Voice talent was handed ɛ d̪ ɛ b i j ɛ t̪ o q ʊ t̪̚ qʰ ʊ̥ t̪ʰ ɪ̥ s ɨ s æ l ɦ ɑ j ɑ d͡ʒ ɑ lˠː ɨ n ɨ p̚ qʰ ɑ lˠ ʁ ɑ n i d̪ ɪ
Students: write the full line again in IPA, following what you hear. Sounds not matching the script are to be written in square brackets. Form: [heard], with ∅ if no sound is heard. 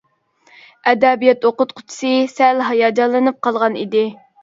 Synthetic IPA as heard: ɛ d̪ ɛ b i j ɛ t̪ o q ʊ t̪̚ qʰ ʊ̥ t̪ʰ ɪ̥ s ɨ s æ l ɦ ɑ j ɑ d͡ʒ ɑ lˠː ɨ n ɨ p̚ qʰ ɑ lˠ ʁ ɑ n i d̪ ɪ